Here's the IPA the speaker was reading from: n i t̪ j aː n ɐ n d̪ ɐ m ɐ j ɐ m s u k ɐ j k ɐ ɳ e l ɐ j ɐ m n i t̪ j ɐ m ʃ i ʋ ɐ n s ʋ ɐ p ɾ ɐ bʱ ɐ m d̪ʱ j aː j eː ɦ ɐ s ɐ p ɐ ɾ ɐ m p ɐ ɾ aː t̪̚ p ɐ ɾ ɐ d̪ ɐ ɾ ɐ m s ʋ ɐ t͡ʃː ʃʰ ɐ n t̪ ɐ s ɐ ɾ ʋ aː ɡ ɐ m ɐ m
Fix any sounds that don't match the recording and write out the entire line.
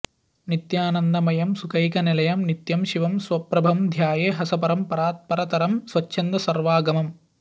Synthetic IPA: n i t̪ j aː n ɐ n d̪ ɐ m ɐ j ɐ m s u k ɐ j k ɐ n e l ɐ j ɐ m n i t̪ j ɐ m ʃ i ʋ ɐ m s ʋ ɐ p ɾ ɐ bʱ ɐ m d̪ʱ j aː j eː ɦ ɐ s ɐ p ɐ ɾ ɐ m p ɐ ɾ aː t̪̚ p ɐ ɾ ɐ t̪ ɐ ɾ ɐ m s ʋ ɐ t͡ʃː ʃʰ ɐ n d̪ ɐ s ɐ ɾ ʋ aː ɡ ɐ m ɐ m